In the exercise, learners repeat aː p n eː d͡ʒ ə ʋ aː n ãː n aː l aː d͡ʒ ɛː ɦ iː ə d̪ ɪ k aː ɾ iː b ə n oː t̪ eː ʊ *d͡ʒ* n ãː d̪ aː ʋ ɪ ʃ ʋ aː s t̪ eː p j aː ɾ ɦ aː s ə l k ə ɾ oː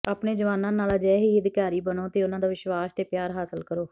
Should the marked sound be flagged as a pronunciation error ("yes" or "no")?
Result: yes